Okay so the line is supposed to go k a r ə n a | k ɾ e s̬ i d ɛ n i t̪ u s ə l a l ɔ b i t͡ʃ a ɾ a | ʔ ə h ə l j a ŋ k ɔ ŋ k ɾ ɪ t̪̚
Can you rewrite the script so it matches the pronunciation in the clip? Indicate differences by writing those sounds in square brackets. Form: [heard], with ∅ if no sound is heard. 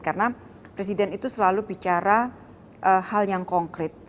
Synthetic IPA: k a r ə n a | [p] ɾ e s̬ i d ɛ n i t̪ u s ə l a l [u] b i t͡ʃ a ɾ a | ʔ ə h [a] l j a ŋ k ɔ ŋ k ɾ ɪ t̪̚